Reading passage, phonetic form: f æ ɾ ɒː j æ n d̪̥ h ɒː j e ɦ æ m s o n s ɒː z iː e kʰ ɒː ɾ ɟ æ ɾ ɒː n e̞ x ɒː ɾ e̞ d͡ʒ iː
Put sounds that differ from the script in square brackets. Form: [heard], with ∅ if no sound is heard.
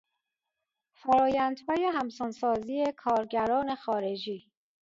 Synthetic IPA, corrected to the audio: f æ ɾ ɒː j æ n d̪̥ h ɒː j e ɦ æ m s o n s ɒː z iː e kʰ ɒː ɾ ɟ æ ɾ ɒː n e̞ x ɒː ɾ e̞ d͡ʒ iː